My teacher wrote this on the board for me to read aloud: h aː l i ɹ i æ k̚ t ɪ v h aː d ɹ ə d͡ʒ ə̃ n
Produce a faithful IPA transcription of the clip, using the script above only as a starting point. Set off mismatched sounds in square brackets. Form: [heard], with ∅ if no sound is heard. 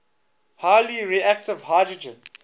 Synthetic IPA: h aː l i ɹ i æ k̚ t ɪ v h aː d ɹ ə d͡ʒ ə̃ n

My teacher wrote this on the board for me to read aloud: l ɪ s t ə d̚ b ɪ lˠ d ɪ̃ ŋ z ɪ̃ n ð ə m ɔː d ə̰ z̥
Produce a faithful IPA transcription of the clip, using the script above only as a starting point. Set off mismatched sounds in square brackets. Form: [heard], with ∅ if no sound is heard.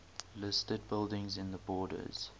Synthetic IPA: l ɪ s t ə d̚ b ɪ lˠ d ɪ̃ ŋ z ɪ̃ n ð ə [b] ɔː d ə̰ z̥

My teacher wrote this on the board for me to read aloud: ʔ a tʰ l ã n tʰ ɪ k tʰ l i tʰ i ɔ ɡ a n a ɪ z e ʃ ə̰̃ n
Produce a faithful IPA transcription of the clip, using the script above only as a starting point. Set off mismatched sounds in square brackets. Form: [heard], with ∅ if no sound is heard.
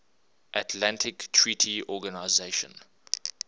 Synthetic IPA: ʔ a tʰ l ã n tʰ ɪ k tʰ [ɹ] i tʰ i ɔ ɡ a n a ɪ z e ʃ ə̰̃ n

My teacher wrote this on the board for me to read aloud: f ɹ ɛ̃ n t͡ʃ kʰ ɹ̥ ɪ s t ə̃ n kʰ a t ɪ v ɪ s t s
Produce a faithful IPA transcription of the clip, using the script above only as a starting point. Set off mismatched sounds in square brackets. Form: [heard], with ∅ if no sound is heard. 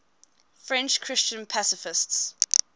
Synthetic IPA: f ɹ ɛ̃ n t͡ʃ kʰ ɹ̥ ɪ s [t͡ʃ] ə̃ n [pʰ] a [s] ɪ [f] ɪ s t s

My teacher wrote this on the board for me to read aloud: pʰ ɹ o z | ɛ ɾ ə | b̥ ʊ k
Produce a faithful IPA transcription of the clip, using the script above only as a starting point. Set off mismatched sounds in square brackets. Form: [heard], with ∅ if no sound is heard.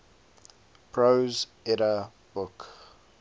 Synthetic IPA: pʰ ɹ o z | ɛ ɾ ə | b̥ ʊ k

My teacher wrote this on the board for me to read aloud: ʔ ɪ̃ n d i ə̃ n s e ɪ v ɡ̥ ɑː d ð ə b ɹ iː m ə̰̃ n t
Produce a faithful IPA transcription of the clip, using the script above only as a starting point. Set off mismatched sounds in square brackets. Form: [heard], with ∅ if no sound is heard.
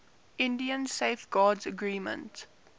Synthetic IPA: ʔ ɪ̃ n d i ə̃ n s e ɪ [f] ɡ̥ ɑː d [z] ə [ɡ] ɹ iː m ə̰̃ n t

